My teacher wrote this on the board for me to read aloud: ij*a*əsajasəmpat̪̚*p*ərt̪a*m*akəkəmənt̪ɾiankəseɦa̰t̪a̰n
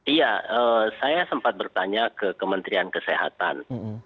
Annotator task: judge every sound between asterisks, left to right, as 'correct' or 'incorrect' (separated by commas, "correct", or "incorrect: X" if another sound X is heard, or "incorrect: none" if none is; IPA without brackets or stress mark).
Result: correct, incorrect: b, incorrect: ɲ